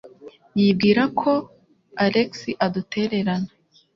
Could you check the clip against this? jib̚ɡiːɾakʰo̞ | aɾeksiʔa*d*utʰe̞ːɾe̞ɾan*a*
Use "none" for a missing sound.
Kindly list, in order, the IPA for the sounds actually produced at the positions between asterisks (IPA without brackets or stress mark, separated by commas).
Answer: d, a